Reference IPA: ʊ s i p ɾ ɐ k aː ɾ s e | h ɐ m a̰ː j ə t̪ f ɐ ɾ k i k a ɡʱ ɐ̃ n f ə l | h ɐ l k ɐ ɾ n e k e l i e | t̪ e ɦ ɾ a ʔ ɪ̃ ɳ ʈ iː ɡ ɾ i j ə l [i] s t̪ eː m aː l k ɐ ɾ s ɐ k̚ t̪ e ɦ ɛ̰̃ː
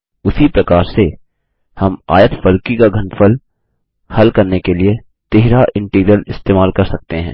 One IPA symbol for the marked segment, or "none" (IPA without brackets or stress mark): ɪ